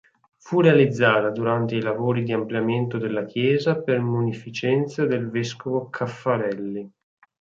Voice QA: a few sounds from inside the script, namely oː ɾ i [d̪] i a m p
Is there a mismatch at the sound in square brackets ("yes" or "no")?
no